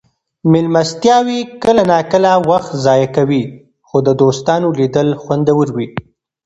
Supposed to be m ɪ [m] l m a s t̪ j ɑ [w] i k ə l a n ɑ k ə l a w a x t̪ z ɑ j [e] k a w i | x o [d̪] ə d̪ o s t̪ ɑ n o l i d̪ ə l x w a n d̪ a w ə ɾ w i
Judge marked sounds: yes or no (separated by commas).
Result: no, yes, no, yes